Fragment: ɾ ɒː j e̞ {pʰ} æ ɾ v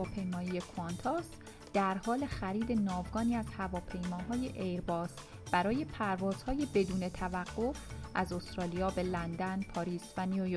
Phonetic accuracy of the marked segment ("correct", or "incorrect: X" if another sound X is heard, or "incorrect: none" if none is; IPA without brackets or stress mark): correct